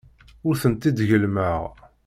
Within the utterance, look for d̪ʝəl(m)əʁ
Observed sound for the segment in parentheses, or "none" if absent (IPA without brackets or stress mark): m